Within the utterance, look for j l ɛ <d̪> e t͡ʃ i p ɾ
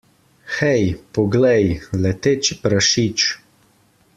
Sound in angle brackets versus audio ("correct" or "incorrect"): incorrect